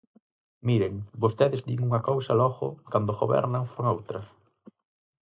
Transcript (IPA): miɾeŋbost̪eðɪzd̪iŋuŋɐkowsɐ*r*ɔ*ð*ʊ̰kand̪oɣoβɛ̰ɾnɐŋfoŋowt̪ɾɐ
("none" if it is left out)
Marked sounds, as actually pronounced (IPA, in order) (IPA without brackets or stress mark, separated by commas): l, ɣ